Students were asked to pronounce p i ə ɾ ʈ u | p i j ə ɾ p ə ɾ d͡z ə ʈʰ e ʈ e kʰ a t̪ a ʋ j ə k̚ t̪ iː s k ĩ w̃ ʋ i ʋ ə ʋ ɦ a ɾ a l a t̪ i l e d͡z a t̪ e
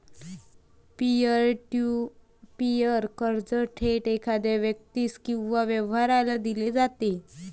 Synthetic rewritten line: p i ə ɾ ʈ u | p i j ə ɾ k ə ɾ d͡z ə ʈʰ e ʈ e kʰ a d̪ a ʋ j ə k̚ t̪ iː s k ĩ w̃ ʋ a ʋ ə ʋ ɦ a ɾ a l a d̪ i l e d͡z a t̪ e